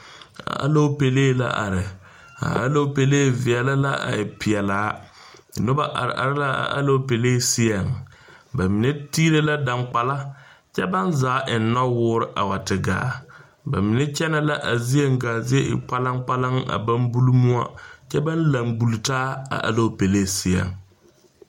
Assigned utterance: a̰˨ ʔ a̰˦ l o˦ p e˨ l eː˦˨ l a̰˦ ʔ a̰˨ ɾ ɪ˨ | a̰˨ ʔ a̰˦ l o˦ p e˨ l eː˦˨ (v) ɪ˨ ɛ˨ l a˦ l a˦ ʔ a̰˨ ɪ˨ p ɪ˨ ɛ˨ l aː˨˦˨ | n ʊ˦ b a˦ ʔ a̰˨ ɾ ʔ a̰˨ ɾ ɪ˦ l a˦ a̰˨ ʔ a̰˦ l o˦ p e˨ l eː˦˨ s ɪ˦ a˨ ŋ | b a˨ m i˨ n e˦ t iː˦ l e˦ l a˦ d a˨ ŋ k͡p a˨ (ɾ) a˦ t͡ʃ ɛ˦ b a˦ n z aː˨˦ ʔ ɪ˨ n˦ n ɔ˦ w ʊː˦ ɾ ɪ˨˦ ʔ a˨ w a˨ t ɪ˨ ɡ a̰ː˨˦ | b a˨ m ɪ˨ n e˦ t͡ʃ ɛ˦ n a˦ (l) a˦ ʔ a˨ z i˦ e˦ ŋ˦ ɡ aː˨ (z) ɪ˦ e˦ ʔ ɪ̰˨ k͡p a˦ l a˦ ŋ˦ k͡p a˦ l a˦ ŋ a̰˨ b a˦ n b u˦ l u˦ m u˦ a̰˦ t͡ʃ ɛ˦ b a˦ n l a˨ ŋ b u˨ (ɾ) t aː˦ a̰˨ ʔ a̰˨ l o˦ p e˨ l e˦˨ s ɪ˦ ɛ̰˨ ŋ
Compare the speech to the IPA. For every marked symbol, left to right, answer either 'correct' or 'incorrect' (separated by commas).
correct, incorrect, correct, correct, incorrect